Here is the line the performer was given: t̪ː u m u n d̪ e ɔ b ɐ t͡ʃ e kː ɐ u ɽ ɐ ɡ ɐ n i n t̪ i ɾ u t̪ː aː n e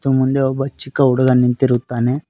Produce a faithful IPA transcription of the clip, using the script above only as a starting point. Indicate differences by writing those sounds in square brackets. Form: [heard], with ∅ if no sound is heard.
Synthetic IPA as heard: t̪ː u m u n d̪ e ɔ b ɐ t͡ʃ [i] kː ɐ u ɽ ɐ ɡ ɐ n i n t̪ i ɾ u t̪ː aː n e